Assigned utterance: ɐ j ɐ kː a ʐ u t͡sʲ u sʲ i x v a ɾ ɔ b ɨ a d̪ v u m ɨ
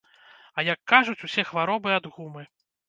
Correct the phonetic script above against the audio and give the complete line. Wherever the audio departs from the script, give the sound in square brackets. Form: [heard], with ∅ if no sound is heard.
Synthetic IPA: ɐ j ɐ kː a ʐ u t͡sʲ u sʲ [ɛ] x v a ɾ ɔ b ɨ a d̪ [ɣ] u m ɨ